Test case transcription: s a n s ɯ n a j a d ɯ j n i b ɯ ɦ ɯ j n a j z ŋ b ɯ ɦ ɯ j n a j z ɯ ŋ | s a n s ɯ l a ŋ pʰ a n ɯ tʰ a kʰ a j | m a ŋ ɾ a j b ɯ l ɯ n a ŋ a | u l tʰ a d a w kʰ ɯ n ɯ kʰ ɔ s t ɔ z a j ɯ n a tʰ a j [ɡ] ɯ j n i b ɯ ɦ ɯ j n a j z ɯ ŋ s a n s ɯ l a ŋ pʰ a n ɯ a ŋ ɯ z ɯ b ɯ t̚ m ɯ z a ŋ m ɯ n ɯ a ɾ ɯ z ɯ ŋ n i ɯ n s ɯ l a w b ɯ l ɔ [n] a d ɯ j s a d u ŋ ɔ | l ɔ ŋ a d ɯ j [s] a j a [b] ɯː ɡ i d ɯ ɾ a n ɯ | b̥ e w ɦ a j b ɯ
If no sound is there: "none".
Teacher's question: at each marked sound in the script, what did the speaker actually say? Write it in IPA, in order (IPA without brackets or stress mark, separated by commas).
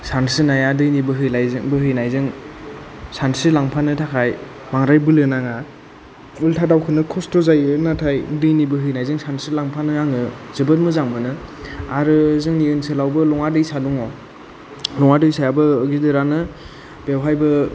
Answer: d, ŋ, s, b